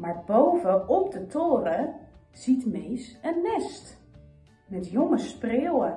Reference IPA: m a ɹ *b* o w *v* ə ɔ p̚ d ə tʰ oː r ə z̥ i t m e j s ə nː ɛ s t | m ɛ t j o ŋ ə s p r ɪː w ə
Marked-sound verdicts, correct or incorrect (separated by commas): correct, correct